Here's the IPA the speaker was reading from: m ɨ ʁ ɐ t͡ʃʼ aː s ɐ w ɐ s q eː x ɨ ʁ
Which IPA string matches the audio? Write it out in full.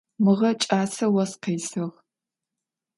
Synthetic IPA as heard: m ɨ ʁ ɐ t͡ʃʼ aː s ɐ w ɐ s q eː s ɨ ʁ

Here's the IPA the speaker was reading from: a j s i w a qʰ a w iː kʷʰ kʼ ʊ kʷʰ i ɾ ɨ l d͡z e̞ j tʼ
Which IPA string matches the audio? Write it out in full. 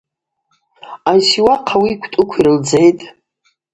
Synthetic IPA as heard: a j s i w a qʰ a w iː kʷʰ tʼ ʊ kʷʰ i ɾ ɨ l d͡z e̞ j tʼ

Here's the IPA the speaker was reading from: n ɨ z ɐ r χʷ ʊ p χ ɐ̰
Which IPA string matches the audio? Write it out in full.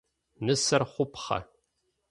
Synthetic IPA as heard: n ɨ s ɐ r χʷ ʊ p χ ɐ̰

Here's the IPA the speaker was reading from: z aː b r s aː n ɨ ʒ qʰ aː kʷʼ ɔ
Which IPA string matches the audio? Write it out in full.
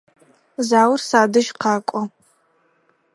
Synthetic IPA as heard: z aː w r s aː d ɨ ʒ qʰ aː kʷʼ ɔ

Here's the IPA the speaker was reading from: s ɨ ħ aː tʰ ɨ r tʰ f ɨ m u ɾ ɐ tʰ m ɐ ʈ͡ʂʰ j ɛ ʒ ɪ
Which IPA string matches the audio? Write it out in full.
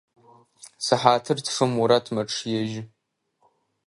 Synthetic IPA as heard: s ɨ ħ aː tʰ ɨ r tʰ f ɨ m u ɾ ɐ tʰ m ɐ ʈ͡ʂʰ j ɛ ʒ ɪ

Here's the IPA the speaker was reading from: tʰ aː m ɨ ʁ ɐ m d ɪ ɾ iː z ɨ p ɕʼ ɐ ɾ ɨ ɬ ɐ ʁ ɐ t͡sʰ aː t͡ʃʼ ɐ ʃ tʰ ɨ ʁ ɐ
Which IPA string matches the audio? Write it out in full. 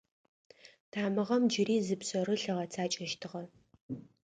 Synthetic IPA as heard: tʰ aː m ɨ ʁ ɐ m d͡ʒ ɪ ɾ iː z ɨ p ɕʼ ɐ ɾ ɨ ɬ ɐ ʁ ɐ t͡sʰ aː t͡ʃʼ ɐ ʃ tʰ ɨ ʁ ɐ

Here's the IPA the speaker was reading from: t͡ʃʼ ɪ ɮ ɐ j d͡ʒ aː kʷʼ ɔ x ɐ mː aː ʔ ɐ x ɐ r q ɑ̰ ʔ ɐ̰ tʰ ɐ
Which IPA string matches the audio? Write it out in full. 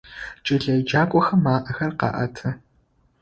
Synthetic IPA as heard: t͡ʃʼ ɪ ɮ ɐ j d͡ʒ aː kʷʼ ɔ x ɐ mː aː ʔ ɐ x ɐ r q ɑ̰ ʔ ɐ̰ tʰ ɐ

